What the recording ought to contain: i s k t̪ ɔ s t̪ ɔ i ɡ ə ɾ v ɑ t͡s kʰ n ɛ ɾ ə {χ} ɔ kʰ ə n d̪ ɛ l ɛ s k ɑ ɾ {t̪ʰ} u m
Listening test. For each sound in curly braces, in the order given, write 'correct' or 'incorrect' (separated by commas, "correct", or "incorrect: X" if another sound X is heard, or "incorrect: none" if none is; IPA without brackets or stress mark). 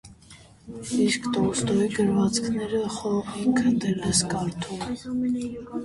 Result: correct, correct